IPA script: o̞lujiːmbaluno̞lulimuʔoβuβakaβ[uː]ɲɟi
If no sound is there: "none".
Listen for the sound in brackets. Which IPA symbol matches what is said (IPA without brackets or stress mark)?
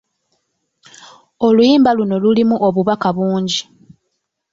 uː